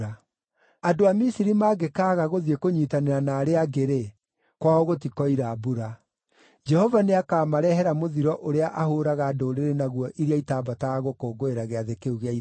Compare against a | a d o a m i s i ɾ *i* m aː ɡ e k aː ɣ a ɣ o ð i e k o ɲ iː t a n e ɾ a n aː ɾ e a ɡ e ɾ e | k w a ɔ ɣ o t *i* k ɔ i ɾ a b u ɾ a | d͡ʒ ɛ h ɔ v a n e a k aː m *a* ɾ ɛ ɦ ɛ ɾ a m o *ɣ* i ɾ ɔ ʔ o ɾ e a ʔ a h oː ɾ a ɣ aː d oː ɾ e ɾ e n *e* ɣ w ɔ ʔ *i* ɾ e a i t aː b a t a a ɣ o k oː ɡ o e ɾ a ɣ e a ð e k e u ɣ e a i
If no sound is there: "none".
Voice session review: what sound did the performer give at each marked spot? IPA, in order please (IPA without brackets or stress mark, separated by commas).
i, i, a, ð, a, i